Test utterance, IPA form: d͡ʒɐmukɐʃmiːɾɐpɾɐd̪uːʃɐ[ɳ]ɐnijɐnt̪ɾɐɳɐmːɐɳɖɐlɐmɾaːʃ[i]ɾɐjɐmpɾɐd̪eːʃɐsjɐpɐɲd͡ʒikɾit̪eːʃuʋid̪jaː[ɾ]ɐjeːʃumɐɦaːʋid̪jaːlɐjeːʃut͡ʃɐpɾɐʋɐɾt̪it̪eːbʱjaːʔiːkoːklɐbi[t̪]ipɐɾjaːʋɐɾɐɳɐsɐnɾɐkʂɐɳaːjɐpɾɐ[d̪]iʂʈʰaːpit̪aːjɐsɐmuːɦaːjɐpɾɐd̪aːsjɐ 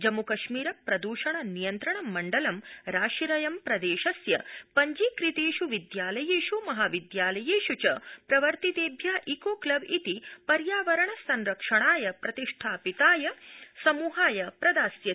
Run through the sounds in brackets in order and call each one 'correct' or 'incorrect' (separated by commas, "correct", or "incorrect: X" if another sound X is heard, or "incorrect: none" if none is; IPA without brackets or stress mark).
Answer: correct, correct, incorrect: l, correct, incorrect: t̪